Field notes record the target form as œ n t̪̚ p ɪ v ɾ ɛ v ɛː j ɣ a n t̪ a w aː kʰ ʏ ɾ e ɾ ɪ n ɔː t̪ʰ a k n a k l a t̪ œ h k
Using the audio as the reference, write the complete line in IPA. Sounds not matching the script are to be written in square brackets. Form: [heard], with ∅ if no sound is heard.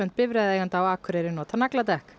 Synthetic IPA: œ n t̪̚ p ɪ v ɾ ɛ [ð] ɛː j ɣ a n t̪ a w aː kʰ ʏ ɾ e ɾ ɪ n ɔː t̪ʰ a [∅] n a k l a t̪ [ɛ] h k